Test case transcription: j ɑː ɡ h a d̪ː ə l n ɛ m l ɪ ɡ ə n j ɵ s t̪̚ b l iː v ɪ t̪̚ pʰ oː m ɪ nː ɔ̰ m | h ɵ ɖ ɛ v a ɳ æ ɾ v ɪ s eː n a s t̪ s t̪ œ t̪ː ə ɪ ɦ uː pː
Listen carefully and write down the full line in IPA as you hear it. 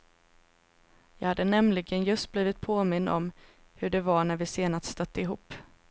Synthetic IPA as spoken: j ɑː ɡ h a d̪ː ə n ɛ m l ɪ ɡ ə n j ɵ s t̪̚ b l iː v ɪ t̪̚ pʰ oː m ɪ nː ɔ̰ m | h ɵ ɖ ɛ v a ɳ æ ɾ v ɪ s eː n a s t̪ s t̪ œ t̪ː ə ɪ ɦ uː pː